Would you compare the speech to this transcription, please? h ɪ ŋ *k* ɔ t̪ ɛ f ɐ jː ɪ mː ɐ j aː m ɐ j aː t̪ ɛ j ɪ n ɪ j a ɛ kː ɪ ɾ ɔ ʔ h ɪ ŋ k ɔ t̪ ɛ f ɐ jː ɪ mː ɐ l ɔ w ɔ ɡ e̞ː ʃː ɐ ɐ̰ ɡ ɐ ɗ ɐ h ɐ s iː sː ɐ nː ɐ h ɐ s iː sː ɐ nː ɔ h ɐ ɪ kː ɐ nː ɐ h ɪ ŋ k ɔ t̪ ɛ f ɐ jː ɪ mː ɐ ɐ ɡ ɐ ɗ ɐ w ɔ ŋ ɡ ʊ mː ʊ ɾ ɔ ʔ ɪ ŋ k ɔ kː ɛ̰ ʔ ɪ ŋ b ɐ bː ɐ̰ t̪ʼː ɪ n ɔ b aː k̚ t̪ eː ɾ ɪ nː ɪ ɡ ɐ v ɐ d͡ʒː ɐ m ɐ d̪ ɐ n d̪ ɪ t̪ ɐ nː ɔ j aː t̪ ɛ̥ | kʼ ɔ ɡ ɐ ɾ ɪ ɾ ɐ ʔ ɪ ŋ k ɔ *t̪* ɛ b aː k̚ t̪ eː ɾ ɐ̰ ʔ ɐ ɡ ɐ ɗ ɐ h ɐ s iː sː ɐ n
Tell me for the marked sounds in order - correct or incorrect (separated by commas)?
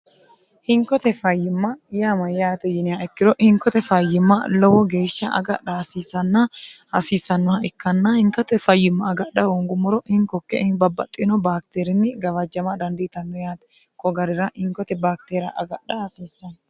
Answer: correct, correct